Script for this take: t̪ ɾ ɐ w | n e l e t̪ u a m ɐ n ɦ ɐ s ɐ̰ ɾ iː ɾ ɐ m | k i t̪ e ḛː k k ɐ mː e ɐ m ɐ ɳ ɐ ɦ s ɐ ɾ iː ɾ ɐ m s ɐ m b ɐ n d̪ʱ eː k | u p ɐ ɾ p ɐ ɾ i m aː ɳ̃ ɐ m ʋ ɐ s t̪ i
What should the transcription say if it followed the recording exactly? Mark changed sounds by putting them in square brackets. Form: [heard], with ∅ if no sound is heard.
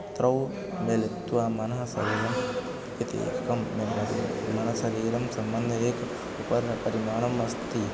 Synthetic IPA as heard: t̪ ɾ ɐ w | [m] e l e t̪ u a m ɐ n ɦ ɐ s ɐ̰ ɾ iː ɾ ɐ m | k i t̪ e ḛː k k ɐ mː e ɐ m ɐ [n] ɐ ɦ s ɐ ɾ iː ɾ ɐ m s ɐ m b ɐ n d̪ʱ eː k | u p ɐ ɾ p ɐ ɾ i m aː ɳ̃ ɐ m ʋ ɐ s t̪ i